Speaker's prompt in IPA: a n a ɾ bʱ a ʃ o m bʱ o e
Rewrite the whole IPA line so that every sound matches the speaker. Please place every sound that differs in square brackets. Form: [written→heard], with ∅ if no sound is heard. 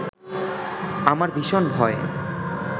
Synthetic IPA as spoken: a [n→m] a ɾ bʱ [a→i] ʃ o [m→n] bʱ [o→ɔ] e